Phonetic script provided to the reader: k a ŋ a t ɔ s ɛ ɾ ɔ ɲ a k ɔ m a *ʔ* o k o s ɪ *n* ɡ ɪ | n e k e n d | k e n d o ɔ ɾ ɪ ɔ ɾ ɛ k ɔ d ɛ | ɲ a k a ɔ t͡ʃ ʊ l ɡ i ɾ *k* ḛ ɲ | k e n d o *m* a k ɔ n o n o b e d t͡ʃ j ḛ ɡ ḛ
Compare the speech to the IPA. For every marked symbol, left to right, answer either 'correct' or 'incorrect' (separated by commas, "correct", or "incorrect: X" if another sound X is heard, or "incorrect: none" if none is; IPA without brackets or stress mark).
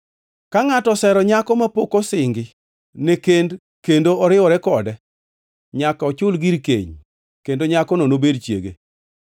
incorrect: p, incorrect: ŋ, correct, incorrect: ɲ